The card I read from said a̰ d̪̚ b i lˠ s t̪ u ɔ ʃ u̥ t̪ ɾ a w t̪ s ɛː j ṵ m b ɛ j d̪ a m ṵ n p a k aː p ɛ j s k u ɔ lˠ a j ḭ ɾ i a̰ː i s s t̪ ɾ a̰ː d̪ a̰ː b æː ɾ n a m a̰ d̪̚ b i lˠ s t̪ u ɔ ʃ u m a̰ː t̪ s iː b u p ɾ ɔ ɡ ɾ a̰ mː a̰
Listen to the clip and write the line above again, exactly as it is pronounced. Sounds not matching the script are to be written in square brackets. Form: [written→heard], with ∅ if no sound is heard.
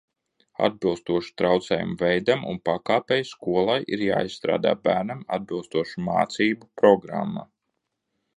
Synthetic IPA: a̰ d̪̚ b i lˠ s t̪ u ɔ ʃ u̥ t̪ ɾ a w t̪ s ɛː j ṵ m [b→v] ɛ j d̪ a m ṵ n p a k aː p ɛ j s k u ɔ lˠ a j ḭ ɾ [i→j] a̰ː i s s t̪ ɾ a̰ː d̪ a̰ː b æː ɾ n a m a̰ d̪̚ b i lˠ s t̪ u ɔ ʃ u m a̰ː t̪ s iː b u p ɾ ɔ ɡ ɾ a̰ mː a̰